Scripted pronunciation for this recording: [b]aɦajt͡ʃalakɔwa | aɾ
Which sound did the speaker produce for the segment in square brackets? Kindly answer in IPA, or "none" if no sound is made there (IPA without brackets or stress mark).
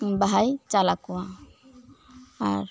b